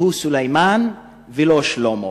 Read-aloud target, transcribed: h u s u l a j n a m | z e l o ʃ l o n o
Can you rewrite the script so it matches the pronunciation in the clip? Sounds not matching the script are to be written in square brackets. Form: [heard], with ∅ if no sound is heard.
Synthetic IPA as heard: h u s u l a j [m] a [n] | [v] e l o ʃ l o [m] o